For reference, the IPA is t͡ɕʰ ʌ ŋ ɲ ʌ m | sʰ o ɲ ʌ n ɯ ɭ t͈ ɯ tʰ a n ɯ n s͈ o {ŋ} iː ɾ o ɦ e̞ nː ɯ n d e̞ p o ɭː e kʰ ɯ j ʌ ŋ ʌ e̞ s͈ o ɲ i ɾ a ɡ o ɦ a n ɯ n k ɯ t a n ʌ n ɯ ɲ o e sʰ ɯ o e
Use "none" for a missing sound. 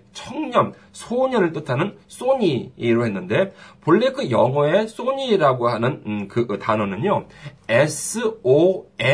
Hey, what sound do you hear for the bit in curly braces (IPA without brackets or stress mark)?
ɲ